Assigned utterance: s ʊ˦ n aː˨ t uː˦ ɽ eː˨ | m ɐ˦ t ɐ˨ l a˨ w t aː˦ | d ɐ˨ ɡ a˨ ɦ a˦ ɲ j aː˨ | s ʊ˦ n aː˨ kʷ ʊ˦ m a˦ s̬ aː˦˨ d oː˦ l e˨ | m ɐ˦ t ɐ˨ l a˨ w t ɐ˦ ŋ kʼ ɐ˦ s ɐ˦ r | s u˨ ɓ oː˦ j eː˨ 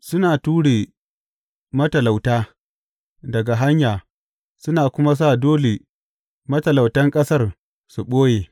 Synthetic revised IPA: s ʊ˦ n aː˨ t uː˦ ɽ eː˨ | m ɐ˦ t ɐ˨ l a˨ w t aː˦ | d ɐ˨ ɡ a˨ ɦ a˦ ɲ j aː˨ | s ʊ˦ n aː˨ kʷ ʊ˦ m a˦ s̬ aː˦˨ d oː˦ l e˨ | m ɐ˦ t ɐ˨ l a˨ w t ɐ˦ ŋ kʼ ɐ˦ s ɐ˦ r | s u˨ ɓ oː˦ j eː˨